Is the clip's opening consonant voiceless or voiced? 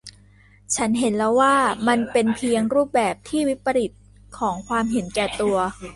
voiceless